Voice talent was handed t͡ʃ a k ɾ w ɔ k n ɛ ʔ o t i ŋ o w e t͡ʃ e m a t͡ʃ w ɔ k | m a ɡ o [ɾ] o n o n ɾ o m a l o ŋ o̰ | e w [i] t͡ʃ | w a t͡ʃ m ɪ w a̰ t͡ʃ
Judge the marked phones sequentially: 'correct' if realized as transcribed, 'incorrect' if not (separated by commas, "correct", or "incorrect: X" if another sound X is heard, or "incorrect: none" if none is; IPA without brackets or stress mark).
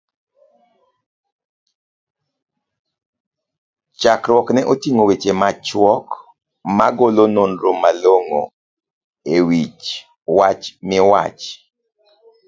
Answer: incorrect: l, correct